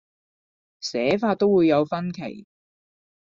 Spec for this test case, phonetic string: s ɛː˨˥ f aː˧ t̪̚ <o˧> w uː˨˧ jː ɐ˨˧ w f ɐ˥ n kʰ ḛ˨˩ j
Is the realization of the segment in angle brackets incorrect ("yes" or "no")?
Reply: yes